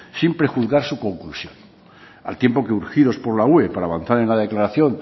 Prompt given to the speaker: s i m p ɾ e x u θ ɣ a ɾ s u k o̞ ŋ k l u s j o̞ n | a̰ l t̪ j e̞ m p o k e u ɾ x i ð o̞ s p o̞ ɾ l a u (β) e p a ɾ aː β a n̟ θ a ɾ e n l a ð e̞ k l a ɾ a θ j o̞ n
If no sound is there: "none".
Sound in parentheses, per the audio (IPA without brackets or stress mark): none